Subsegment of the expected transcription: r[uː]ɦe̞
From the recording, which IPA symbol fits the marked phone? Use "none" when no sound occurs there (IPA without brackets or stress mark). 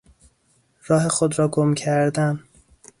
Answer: ɒː